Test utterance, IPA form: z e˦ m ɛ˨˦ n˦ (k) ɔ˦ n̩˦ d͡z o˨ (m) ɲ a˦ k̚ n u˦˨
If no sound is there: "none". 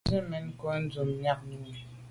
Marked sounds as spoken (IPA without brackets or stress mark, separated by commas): k, m